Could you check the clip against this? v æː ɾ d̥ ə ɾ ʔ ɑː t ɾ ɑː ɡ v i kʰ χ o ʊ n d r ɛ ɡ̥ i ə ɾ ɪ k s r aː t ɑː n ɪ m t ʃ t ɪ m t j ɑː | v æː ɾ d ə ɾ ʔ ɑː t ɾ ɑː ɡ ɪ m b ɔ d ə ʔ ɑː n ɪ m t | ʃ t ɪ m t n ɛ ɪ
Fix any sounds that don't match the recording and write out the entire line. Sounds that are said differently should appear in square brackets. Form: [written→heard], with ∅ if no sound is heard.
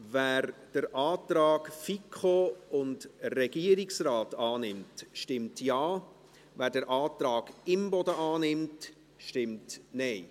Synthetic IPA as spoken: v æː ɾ d̥ ə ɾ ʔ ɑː t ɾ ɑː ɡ [v→f] i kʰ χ o ʊ n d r ɛ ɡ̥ i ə ɾ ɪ k s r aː t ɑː n ɪ m t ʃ t ɪ m t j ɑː | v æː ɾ d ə ɾ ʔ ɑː t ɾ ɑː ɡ ɪ m b ɔ d ə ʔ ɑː n ɪ m t | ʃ t ɪ m t n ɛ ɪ